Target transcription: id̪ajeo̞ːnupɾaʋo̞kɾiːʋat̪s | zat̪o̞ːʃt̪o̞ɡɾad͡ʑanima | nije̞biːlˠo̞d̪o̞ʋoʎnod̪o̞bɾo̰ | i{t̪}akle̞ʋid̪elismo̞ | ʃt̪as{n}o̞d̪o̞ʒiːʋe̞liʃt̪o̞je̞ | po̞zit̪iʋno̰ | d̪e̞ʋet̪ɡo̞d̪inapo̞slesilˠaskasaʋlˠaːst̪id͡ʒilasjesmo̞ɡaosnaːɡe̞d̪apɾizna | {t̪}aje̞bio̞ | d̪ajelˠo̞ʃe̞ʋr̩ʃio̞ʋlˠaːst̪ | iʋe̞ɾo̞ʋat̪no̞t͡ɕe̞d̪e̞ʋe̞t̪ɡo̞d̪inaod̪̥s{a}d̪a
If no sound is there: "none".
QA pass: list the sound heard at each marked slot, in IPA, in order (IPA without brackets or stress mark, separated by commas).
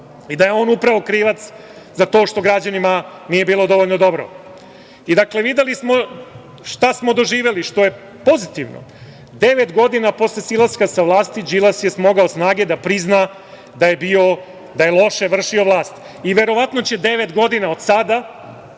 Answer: d̪, m, d̪, a